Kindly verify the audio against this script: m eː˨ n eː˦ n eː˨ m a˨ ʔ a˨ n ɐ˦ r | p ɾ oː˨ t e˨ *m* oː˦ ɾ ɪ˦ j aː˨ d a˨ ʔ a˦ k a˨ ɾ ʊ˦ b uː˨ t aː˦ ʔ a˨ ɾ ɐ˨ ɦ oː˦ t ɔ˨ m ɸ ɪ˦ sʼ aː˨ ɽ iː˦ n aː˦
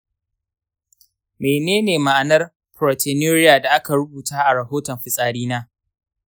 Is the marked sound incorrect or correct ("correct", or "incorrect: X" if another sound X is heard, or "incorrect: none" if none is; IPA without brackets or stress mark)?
incorrect: n